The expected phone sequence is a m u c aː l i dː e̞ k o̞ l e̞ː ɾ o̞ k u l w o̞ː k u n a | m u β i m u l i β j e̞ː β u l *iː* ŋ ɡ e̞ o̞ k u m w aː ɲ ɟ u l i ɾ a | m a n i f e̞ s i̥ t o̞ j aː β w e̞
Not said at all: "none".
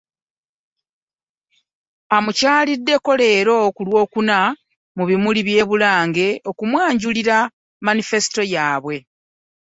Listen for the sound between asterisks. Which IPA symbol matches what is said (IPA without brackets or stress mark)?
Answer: aː